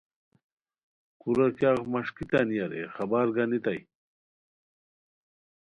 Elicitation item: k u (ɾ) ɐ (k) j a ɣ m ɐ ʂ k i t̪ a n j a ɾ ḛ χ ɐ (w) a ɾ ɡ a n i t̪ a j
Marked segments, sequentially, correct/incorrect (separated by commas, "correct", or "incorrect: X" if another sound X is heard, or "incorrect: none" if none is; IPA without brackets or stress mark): correct, correct, incorrect: b